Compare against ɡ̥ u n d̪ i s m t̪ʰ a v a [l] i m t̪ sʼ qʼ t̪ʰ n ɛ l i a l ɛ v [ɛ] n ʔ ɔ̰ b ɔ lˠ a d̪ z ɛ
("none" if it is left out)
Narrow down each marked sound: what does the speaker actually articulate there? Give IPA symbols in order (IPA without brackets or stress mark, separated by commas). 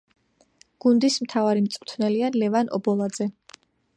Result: ɾ, a